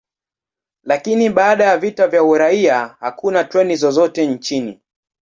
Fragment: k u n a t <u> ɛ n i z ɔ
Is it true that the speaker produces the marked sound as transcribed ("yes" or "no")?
no